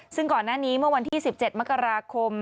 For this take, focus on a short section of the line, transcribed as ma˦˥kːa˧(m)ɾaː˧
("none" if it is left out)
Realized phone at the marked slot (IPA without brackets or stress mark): none